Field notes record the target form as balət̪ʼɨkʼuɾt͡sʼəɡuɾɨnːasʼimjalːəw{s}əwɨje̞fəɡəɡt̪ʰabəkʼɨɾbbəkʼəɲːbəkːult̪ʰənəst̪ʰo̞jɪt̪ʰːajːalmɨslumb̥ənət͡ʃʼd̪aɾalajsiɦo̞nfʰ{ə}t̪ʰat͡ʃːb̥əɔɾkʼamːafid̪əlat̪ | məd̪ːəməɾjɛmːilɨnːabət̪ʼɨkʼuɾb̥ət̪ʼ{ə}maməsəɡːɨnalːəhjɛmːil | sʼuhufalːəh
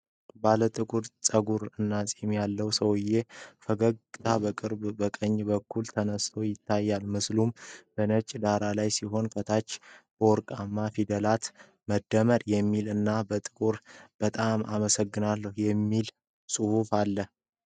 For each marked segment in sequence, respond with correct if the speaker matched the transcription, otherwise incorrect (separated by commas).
correct, correct, incorrect